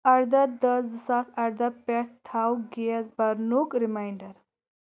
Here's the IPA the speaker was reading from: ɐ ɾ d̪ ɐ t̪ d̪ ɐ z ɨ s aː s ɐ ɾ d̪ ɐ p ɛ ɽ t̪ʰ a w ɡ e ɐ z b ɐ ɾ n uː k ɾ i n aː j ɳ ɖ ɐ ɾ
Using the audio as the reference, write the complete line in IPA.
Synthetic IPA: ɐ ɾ d̪ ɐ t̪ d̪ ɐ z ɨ s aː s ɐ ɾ d̪ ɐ p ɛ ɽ t̪ʰ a w ɡ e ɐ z b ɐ ɾ n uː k ɾ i m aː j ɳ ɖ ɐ ɾ